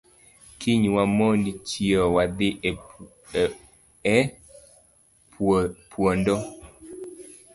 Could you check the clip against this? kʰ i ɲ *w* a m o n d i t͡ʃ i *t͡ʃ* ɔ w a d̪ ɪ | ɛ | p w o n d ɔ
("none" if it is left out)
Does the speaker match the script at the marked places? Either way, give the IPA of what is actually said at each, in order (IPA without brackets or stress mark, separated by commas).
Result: w, none